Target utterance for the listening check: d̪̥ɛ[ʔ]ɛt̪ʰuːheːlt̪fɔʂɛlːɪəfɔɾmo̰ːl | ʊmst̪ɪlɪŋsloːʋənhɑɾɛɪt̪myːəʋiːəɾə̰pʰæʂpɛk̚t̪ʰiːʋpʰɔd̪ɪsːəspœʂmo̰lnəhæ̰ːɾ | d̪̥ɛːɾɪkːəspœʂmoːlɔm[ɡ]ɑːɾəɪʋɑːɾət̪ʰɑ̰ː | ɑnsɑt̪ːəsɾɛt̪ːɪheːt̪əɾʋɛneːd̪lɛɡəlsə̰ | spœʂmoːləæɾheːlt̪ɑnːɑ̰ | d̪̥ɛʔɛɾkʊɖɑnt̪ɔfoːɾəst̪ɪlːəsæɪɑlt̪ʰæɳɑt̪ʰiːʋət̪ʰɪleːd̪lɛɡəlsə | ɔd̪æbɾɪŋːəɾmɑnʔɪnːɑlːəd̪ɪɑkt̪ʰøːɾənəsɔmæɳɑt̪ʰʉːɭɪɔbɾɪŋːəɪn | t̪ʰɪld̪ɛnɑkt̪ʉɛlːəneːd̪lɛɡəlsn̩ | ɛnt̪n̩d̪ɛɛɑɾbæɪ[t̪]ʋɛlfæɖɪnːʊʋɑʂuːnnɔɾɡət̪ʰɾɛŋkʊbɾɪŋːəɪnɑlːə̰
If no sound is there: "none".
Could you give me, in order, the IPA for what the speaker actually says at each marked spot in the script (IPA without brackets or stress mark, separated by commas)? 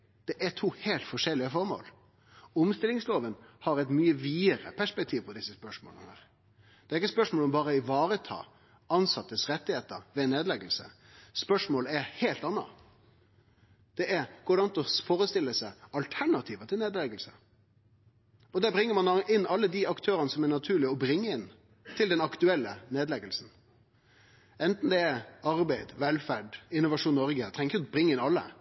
ʔ, b, d̪